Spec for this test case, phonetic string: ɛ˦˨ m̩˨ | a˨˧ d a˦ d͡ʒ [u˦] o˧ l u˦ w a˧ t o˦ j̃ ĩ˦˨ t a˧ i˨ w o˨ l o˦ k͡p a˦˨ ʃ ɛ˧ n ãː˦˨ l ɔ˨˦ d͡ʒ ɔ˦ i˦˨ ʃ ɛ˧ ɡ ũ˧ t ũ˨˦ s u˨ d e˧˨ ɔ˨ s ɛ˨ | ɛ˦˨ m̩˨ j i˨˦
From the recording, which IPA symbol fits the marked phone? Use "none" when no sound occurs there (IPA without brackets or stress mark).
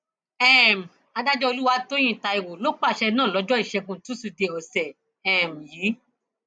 ɔ˦